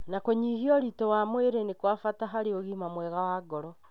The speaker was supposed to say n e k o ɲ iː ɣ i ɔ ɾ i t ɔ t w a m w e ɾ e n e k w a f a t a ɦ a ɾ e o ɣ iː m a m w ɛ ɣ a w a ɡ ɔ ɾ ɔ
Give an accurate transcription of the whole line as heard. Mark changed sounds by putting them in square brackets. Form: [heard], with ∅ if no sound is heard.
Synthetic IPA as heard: n [a] k o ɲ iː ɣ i ɔ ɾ i t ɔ [∅] w a m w e ɾ e n e k w a f a t a ɦ a ɾ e o ɣ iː m a m w ɛ ɣ a w a ɡ ɔ ɾ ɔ